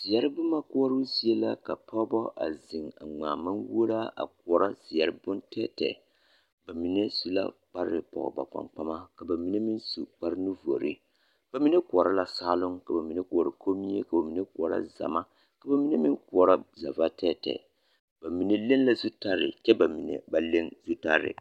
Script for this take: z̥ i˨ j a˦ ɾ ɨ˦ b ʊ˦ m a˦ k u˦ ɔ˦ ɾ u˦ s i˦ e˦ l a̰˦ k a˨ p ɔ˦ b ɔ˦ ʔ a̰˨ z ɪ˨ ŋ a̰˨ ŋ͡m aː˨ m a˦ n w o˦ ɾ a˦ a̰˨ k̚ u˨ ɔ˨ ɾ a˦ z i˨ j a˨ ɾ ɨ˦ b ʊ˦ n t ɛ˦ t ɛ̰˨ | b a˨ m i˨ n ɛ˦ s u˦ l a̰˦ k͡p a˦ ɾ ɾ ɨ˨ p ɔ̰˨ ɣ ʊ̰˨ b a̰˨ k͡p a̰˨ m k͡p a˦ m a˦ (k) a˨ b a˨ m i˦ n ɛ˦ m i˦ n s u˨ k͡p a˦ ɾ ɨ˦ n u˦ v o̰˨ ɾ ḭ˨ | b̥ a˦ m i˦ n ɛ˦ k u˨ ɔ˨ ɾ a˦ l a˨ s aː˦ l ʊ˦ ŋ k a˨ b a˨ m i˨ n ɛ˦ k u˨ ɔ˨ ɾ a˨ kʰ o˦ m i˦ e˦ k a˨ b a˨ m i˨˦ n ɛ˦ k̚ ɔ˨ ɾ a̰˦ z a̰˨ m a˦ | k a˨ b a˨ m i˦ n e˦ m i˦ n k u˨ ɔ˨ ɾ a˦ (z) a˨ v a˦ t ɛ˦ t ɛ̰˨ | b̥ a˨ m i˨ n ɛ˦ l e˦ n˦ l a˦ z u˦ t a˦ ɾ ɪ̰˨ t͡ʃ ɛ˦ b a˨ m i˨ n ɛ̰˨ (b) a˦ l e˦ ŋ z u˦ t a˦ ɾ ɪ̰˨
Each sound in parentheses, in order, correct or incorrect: correct, correct, correct

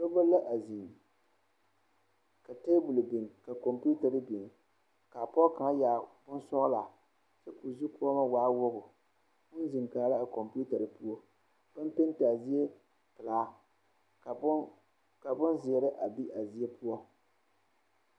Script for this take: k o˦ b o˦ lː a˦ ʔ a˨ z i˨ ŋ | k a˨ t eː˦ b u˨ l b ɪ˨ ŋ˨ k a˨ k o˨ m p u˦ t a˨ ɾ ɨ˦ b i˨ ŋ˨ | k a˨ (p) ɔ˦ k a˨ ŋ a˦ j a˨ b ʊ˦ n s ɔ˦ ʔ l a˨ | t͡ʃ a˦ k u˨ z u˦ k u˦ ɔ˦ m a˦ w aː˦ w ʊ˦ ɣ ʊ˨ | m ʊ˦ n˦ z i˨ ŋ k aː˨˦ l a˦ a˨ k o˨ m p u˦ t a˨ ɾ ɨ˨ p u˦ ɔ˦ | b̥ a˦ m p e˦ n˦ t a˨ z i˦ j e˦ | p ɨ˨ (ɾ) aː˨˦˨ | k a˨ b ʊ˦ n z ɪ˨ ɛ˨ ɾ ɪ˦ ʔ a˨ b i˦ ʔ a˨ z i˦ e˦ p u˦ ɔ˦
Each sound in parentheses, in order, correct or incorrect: correct, incorrect

